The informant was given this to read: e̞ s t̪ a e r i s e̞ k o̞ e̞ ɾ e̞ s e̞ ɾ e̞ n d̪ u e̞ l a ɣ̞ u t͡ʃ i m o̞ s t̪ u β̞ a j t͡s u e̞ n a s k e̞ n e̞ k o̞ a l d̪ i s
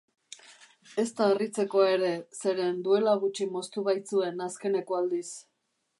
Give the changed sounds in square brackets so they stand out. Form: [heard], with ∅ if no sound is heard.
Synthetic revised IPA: e̞ s t̪ a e r i [t͡s] e̞ k o̞ e̞ ɾ e̞ s e̞ ɾ e̞ n d̪ u e̞ l a ɣ̞ u t͡ʃ i m o̞ s t̪ u β̞ a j t͡s u e̞ n a s k e̞ n e̞ k o̞ a l d̪ i s